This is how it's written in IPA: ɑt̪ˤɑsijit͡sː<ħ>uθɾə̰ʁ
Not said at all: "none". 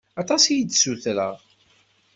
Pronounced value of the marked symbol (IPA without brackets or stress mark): s